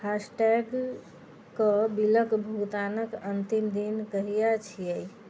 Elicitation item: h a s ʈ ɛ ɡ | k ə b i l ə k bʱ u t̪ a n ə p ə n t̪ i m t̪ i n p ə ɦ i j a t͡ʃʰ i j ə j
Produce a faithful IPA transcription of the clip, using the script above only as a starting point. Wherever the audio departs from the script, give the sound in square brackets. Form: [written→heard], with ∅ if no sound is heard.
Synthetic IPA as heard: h a s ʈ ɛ ɡ | k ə b i l ə k bʱ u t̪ a n ə [p→k] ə n t̪ i m [t̪→d̪] i n [p→k] ə ɦ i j a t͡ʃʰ i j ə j

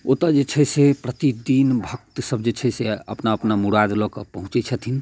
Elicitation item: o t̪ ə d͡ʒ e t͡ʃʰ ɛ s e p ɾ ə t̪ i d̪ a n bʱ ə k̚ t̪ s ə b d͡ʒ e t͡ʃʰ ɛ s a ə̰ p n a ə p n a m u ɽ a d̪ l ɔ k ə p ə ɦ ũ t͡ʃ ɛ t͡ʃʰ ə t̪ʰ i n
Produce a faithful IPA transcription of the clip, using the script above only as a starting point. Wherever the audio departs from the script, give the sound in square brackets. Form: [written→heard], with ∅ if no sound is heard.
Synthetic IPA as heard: o t̪ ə d͡ʒ e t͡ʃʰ ɛ s e p ɾ ə t̪ i d̪ [a→i] n bʱ ə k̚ t̪ s ə b d͡ʒ e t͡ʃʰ ɛ s [a→e] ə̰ p n a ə p n a m u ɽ a d̪ l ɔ k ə p ə ɦ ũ t͡ʃ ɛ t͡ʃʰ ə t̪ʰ i n

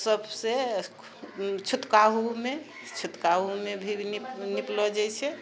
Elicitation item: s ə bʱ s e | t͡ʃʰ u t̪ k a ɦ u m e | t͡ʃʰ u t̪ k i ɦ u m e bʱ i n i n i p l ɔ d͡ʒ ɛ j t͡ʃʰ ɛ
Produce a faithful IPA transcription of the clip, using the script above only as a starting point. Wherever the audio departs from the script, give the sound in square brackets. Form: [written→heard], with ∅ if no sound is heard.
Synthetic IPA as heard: s ə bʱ s e | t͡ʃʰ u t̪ k a ɦ u m e | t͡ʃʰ u t̪ k [i→a] ɦ u m e bʱ i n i n i p l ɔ d͡ʒ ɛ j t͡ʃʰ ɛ

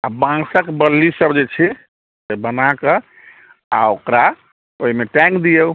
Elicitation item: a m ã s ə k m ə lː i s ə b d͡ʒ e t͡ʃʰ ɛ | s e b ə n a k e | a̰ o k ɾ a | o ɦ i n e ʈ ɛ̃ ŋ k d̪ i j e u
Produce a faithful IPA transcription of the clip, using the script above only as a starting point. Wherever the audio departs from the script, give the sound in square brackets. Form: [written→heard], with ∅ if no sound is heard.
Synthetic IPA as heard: a [m→b] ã s ə k [m→b] ə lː i s ə b d͡ʒ e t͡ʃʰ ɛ | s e b ə n a k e | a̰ o k ɾ a | o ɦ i [n→m] e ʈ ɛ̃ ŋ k d̪ i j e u

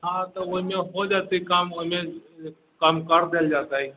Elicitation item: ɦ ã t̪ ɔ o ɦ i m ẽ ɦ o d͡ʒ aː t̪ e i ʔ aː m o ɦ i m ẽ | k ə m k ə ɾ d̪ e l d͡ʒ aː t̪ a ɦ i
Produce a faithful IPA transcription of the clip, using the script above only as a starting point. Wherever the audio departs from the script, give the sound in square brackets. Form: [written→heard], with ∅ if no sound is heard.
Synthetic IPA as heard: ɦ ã t̪ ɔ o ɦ i m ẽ ɦ o d͡ʒ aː t̪ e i [ʔ→k] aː m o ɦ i m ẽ | k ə m k ə ɾ d̪ e l d͡ʒ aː t̪ a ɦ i

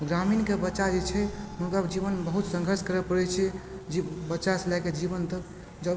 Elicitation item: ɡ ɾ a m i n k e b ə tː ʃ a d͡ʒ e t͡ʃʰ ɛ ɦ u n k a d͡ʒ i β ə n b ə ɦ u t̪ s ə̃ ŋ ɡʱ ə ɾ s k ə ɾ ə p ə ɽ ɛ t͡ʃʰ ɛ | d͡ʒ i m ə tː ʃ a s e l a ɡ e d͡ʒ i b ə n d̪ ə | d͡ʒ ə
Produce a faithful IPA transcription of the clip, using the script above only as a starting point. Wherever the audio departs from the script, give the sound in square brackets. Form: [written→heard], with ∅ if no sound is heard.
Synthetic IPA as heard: ɡ ɾ a m i n k e b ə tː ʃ a d͡ʒ e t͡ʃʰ ɛ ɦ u n k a d͡ʒ i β ə n b ə ɦ u t̪ s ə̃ ŋ ɡʱ ə ɾ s k ə ɾ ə p ə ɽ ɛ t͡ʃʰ ɛ | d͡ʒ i [m→b] ə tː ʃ a s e l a [ɡ→k] e d͡ʒ i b ə n [d̪→t̪] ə | d͡ʒ ə

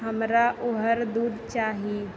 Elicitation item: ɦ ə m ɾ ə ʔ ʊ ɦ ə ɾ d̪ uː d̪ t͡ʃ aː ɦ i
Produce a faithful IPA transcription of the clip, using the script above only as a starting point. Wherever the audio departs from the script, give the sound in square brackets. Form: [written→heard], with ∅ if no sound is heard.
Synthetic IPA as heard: ɦ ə m ɾ [ə→a] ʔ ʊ ɦ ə ɾ d̪ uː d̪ t͡ʃ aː ɦ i

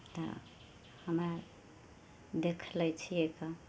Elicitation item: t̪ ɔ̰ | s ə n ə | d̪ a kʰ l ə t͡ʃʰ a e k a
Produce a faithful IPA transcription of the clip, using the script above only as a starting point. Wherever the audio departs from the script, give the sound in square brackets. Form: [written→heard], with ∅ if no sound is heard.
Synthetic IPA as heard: t̪ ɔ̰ | [s→h] ə [n→m] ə | d̪ [a→e] kʰ l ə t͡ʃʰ [a→i] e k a

